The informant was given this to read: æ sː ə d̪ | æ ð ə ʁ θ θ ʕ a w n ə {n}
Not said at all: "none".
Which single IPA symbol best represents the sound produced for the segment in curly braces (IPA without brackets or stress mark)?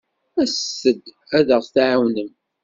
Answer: m